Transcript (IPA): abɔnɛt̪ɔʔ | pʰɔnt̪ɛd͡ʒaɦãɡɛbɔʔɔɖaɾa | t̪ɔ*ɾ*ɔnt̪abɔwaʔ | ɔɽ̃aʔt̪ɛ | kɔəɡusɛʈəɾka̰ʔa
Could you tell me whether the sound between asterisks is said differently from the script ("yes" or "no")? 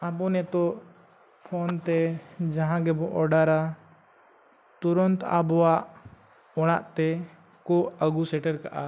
no